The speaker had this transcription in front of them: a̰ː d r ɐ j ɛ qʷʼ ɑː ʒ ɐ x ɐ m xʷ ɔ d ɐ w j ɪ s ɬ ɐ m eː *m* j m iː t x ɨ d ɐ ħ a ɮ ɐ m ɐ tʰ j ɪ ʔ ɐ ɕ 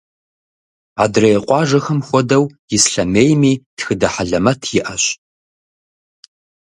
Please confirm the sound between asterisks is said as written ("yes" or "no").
no